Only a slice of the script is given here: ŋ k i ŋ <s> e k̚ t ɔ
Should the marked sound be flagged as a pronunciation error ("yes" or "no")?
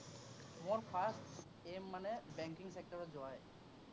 no